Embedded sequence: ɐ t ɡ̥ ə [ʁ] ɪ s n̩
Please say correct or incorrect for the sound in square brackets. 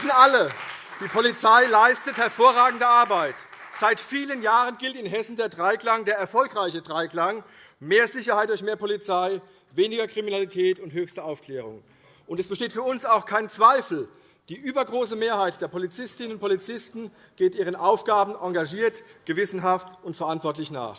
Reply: incorrect